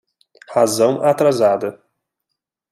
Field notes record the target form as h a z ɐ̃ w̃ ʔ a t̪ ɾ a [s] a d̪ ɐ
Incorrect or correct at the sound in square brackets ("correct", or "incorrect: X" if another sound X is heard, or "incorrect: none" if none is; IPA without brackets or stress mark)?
incorrect: z